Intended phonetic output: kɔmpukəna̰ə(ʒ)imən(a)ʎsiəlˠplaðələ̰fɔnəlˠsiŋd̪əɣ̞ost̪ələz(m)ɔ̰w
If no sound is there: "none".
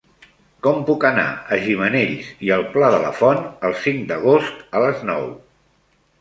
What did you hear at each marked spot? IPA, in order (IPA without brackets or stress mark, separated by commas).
ʒ, e, n